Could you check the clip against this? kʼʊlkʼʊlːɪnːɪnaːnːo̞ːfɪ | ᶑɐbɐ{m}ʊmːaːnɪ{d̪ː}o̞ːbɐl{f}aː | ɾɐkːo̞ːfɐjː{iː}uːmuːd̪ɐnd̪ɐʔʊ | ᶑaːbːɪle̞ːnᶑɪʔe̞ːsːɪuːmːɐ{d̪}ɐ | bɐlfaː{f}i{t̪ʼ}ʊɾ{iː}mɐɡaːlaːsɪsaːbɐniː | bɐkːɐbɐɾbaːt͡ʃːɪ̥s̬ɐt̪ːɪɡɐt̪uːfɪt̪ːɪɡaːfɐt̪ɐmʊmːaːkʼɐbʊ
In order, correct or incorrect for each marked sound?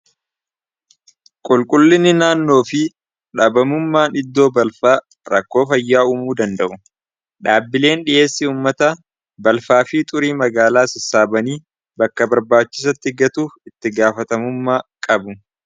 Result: correct, correct, correct, incorrect, incorrect, correct, correct, correct

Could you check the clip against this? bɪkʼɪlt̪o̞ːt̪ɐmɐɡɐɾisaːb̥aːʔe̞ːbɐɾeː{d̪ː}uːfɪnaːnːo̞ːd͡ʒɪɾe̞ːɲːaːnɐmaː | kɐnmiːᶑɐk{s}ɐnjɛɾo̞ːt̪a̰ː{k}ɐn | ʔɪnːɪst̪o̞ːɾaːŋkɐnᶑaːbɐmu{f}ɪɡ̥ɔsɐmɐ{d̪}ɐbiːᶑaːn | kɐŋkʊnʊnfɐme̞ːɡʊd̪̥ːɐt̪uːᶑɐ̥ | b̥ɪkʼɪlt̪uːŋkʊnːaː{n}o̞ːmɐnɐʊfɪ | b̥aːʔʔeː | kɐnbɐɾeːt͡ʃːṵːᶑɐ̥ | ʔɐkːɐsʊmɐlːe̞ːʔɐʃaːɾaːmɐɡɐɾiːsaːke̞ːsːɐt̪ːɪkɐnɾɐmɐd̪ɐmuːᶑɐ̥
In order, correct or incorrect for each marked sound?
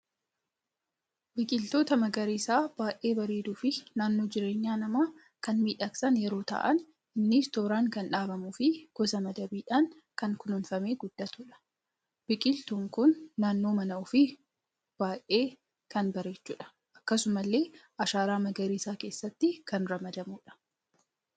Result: incorrect, correct, incorrect, correct, correct, incorrect

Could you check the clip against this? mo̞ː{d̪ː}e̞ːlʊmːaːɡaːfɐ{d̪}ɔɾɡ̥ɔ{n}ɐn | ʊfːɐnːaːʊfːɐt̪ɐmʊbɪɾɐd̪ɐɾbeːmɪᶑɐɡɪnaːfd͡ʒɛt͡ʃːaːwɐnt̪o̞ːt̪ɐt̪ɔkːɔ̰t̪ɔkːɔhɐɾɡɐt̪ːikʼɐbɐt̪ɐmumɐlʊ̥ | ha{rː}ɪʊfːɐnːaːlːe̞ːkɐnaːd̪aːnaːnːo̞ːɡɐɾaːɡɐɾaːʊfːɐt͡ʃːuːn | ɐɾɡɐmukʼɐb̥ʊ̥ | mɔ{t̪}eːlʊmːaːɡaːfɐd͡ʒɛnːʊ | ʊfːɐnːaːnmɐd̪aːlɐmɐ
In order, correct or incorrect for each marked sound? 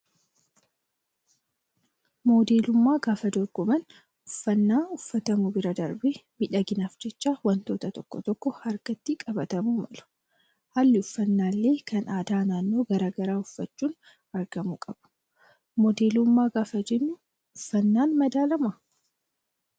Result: incorrect, correct, incorrect, incorrect, incorrect

